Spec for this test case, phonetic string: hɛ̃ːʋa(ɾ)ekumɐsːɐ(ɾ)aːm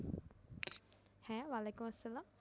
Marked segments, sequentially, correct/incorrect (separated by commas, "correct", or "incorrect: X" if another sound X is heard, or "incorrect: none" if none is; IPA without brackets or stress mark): incorrect: l, incorrect: l